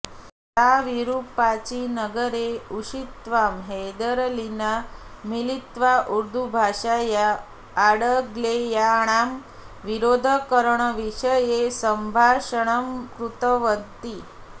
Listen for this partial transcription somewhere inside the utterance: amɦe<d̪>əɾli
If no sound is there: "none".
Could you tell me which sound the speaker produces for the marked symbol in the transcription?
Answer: d̪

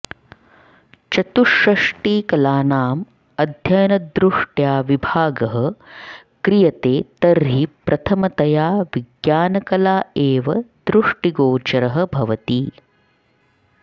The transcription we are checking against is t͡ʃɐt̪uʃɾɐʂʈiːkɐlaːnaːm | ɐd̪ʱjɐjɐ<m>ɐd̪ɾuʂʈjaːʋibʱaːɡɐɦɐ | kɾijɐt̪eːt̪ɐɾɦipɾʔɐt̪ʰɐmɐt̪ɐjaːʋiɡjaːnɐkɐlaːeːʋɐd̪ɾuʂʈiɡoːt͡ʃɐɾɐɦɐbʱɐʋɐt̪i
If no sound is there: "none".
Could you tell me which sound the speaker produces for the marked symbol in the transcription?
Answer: n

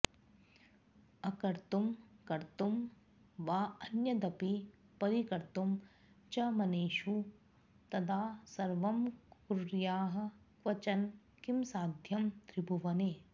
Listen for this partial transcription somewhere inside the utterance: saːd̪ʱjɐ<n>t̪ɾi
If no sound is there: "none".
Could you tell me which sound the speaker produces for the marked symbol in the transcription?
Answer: m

